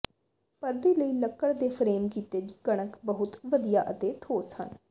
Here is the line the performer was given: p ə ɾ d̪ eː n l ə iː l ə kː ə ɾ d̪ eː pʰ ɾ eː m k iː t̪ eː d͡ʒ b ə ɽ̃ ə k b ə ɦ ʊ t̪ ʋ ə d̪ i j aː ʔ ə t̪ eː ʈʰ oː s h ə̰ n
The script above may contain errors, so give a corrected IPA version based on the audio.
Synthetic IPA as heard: p ə ɾ d̪ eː l ə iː l ə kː ə ɽ d̪ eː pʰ ɾ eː m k iː t̪ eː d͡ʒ ɡ ə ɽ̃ ə k b ə ɦ ʊ t̪ ʋ ə d̪ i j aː ʔ ə t̪ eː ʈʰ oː s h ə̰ n